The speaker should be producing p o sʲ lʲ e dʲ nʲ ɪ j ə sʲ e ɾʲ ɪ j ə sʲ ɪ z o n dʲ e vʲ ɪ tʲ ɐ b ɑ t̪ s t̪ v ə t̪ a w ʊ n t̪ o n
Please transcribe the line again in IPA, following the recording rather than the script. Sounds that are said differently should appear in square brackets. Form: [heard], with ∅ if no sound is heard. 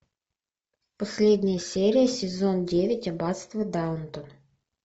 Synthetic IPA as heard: p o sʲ lʲ e dʲ nʲ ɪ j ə sʲ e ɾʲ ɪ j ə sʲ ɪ z o n dʲ e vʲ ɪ tʲ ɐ b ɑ t̪ s t̪ v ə [d̪] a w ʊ n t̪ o n

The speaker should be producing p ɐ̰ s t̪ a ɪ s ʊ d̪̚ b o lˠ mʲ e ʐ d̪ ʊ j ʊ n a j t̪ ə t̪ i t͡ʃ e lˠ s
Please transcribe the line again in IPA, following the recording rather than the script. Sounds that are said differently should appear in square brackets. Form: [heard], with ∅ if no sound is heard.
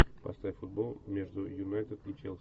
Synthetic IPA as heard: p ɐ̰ s t̪ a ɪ [f] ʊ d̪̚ b o lˠ mʲ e ʐ d̪ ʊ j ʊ n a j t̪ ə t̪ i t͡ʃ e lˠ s

